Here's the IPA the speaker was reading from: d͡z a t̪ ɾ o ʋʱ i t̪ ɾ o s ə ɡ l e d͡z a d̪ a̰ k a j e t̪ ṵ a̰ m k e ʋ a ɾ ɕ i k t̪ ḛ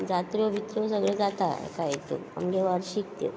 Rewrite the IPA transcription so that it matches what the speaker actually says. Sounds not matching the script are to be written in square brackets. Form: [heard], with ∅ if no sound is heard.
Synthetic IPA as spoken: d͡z a t̪ ɾ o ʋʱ i t̪ ɾ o s ə ɡ [ɭ] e d͡z a [t̪] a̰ k a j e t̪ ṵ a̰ m [ɡ] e ʋ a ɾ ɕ i k t̪ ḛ